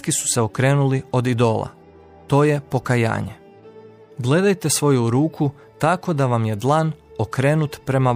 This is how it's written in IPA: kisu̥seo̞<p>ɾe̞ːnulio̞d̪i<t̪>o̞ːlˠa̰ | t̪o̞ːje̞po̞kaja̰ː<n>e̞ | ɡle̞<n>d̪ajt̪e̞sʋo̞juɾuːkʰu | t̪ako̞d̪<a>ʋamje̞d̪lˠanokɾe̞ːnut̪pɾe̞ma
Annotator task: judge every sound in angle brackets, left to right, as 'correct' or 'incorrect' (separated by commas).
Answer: incorrect, incorrect, incorrect, incorrect, correct